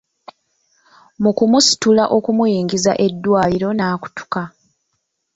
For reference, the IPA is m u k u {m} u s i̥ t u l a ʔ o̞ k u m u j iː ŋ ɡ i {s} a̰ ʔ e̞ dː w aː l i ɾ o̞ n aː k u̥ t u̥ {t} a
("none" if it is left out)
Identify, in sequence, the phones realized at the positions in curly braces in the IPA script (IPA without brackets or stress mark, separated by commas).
m, z, k